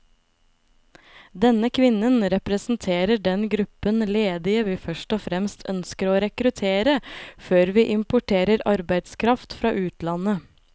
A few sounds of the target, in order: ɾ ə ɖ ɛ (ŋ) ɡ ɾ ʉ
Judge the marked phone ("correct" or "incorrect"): incorrect